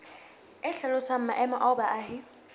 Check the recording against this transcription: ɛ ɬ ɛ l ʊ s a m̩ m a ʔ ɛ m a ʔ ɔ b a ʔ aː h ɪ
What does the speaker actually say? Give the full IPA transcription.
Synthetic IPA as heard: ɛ ɬ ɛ l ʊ s a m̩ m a ʔ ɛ m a ʔ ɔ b a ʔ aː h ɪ

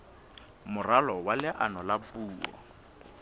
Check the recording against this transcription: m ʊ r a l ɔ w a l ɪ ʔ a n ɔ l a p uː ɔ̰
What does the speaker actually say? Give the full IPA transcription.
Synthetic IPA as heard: m ʊ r a l ɔ w a l ɪ ʔ a n ɔ l a p uː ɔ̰

